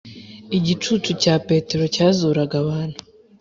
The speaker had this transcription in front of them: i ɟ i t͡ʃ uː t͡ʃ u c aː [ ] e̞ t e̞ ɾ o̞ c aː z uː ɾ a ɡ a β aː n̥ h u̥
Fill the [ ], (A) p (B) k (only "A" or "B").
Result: A